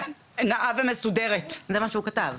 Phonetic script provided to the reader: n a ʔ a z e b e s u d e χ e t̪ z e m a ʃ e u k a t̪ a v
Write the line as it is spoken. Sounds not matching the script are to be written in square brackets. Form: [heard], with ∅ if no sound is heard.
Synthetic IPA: n a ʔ a [v] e [m] e s u d e [ʁ] e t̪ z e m a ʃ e u k a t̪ a v